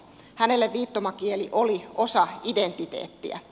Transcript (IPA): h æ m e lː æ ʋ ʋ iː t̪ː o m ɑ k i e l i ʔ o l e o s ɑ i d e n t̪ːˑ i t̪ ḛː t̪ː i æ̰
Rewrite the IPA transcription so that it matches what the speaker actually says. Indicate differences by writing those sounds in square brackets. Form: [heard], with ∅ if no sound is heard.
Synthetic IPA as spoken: h æ [n] e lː [e] ʋ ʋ iː t̪ː o m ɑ k i e l i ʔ o l [i] o s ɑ i d e n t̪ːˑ i t̪ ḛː t̪ː i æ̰

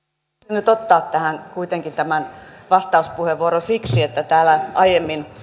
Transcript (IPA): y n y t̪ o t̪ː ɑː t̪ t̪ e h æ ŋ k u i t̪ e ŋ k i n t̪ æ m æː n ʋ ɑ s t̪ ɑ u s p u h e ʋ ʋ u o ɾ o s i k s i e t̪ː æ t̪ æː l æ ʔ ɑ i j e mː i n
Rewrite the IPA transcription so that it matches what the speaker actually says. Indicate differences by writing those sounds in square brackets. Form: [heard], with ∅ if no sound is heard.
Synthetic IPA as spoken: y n y t̪ o t̪ː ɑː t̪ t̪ [æ] h æ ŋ k u i t̪ e ŋ k i n t̪ æ m [æ] n ʋ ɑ s t̪ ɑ u s p u h e ʋ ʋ u o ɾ o s i k s i e t̪ː æ t̪ æː l æ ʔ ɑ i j e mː i n

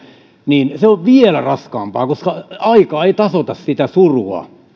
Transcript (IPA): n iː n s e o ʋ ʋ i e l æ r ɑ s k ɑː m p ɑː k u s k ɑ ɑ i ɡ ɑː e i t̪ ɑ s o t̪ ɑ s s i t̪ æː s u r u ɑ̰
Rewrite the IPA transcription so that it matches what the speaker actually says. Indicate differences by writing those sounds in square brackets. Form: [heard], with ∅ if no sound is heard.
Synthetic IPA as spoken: n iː n s e o ʋ ʋ i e l æ r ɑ s k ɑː m p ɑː k [o] s k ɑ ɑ i [k] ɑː e i t̪ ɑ s o t̪ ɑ s s i t̪ [æ] s u r u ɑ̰

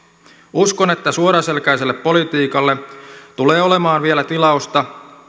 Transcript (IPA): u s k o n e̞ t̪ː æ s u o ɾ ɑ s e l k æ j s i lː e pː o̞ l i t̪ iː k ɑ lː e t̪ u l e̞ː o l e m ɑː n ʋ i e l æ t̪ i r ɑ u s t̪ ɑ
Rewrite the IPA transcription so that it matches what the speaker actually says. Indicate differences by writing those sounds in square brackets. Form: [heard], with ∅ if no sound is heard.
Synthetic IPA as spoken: u s k o n e̞ t̪ː æ s u o ɾ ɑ s e l k æ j s [e] lː e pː o̞ l i t̪ iː k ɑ lː e t̪ u l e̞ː o l e m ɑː n ʋ i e l æ t̪ i [l] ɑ u s t̪ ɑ

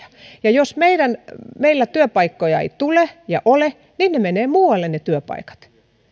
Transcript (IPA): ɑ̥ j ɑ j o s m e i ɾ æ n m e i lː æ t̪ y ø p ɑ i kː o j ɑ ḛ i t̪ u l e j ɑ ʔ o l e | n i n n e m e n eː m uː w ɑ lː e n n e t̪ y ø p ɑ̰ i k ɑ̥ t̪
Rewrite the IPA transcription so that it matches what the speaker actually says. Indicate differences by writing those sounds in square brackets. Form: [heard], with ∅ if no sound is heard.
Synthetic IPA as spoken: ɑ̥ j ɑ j o s m e i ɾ æ n m e i lː æ t̪ y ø p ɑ i kː o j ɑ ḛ i t̪ u l e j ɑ ʔ o l e | n i n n e m e n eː m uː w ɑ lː e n n e t̪ y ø p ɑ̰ i k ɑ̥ t̪

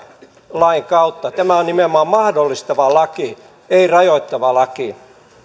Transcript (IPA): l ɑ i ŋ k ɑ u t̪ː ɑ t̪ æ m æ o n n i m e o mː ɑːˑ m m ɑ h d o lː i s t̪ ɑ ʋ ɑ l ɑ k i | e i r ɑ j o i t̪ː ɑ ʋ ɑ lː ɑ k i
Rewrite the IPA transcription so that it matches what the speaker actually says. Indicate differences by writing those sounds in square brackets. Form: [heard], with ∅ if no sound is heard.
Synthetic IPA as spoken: l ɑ i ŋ k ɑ u t̪ː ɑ t̪ æ m æ o n n i m e o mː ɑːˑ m m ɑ h d o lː i s t̪ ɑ ʋ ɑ l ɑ k i | e i r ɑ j o i t̪ː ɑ ʋ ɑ [l] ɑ k i

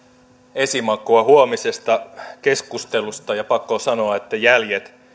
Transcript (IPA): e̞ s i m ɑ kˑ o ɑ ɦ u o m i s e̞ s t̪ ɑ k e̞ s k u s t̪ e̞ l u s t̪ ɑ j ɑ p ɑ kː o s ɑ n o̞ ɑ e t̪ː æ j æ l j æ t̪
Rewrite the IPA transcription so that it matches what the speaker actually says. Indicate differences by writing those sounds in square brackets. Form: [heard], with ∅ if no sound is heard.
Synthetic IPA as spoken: e̞ s i m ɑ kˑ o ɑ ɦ u o m i s e̞ s t̪ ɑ k e̞ s k u s t̪ e̞ l u s t̪ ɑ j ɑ p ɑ kː o s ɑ n o̞ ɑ e t̪ː æ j æ l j [e] t̪

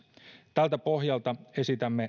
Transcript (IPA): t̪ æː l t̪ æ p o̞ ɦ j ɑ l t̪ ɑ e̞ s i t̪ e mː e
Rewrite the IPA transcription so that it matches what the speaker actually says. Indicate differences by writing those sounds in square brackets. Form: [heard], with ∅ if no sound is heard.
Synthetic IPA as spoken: t̪ [æ] l t̪ æ p o̞ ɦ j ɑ l t̪ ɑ e̞ s i t̪ [æ] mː e

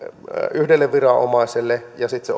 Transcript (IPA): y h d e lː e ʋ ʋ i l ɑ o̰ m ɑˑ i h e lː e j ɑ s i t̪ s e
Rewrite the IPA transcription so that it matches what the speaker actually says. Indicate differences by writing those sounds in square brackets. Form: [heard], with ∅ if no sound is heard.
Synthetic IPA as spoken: y h d e lː e ʋ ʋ i [r] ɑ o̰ m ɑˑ i [s] e lː e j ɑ s i t̪ s e

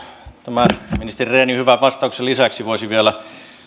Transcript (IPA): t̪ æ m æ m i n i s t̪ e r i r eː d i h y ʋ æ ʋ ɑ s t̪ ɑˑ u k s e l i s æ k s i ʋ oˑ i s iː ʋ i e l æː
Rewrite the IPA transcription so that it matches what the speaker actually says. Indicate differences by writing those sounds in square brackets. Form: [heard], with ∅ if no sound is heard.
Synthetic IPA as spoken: t̪ æ m æ m i n i s t̪ e r i r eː [n] i h y ʋ æ ʋ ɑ s t̪ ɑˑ u k s e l i s æ k s i ʋ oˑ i s [i] ʋ i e l [æ]

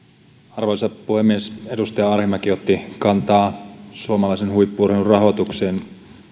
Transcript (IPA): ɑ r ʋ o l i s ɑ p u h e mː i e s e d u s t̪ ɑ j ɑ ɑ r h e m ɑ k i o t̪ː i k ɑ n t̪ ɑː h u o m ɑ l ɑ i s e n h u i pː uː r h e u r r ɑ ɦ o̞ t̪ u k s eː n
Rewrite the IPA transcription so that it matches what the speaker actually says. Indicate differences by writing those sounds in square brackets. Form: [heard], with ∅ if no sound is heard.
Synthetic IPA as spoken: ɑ r ʋ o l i s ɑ p u h e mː i e s e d u s t̪ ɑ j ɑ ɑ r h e m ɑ k i o t̪ː i k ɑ n t̪ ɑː [s] u o m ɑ l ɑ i s e n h u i pː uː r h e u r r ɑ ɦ o̞ t̪ u k s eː n

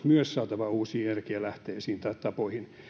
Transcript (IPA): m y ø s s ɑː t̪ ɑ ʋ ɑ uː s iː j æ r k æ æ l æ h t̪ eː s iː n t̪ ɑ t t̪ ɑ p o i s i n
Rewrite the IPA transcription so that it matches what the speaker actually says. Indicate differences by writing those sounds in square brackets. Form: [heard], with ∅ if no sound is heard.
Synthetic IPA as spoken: m y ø s s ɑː t̪ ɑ ʋ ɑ uː s iː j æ r k [i] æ l æ h t̪ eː s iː n t̪ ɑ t t̪ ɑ p o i [h] i n

